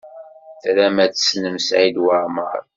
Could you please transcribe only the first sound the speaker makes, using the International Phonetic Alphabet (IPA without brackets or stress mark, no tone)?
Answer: θ